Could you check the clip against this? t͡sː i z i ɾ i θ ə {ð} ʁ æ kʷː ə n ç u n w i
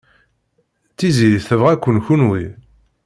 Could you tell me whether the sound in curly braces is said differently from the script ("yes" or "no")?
yes